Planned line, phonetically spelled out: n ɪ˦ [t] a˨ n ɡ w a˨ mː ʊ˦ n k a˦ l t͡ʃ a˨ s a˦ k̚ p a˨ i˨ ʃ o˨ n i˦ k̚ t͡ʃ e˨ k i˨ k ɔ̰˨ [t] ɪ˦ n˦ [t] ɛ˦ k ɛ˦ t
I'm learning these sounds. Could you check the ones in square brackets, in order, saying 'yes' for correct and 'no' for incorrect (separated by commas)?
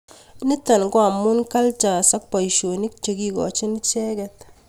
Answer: yes, no, no